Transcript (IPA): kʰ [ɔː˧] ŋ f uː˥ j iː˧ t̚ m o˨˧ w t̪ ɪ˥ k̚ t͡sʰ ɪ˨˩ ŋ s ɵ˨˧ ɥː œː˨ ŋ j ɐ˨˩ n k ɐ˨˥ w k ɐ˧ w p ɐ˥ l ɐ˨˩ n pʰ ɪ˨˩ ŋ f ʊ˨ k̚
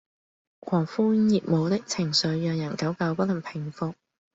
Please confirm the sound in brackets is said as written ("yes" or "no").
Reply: no